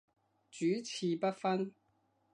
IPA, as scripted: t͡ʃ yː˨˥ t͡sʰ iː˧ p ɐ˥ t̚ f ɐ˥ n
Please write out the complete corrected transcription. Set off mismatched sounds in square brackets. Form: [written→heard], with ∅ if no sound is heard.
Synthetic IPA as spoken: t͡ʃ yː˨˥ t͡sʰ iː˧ p ɐ˥ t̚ f ɐ˥ n